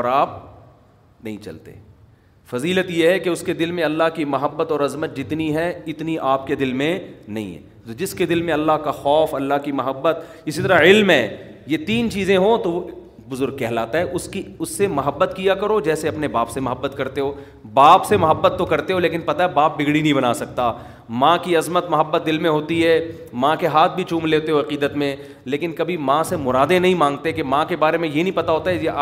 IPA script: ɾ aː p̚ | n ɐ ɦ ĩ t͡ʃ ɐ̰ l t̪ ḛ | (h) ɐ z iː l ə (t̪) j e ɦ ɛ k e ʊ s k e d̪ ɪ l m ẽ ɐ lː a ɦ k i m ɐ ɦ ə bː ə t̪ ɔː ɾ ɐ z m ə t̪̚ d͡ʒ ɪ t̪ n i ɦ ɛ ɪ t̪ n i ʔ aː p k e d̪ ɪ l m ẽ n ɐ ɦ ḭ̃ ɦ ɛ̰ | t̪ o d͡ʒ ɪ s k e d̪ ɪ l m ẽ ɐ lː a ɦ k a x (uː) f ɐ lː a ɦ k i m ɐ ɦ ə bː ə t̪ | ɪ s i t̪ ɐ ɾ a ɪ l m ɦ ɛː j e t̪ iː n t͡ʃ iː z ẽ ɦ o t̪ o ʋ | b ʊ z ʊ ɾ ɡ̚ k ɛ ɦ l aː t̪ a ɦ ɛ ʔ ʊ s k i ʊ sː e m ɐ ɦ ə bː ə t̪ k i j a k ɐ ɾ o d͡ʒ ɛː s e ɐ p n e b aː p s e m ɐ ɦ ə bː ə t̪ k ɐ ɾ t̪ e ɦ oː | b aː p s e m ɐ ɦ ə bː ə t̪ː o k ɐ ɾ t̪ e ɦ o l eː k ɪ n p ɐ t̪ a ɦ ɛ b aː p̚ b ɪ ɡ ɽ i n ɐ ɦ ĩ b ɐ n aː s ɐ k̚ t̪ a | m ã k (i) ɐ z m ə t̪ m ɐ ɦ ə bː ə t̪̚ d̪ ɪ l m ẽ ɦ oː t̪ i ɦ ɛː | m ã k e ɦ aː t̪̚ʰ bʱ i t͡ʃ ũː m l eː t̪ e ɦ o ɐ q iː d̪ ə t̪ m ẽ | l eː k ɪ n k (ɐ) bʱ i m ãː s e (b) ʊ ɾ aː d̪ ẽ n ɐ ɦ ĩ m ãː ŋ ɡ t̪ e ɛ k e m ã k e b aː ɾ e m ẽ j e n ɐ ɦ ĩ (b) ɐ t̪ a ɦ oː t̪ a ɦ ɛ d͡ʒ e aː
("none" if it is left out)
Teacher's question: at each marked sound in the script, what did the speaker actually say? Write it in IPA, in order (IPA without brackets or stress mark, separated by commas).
f, t̪, ɔː, i, ɐ, m, p